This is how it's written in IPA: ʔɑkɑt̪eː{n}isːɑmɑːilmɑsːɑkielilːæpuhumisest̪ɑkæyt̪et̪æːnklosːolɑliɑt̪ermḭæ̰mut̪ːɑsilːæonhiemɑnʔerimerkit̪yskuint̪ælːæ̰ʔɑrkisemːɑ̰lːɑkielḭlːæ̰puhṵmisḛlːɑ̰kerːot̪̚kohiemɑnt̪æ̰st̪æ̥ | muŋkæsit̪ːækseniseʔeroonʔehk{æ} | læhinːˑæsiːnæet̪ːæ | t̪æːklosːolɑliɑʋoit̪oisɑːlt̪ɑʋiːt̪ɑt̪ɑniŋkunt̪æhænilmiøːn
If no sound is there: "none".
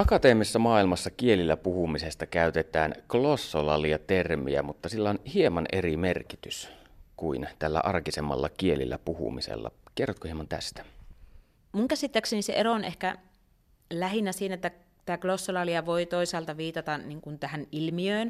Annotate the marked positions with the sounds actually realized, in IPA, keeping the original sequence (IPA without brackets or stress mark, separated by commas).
m, æ